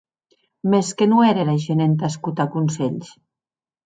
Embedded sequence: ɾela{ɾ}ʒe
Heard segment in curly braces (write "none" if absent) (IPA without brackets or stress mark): none